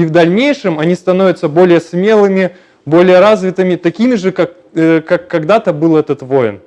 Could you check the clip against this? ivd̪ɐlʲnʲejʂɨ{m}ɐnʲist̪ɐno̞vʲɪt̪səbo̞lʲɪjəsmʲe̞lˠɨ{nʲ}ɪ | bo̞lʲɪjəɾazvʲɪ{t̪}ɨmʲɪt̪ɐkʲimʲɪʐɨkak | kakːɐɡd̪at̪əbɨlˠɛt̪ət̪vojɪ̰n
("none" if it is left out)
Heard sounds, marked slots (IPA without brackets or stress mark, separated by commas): m, mʲ, t̪